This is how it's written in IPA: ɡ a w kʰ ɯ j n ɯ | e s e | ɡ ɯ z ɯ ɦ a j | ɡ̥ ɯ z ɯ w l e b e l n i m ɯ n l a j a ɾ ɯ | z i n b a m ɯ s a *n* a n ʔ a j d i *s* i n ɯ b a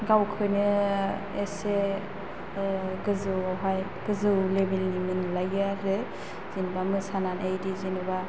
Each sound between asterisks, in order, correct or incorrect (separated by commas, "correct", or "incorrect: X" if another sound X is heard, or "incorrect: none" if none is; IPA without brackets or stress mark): correct, incorrect: z